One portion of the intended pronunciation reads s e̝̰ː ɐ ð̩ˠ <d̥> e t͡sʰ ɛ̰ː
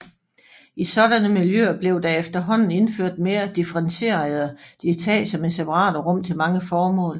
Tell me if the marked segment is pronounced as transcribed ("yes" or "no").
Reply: yes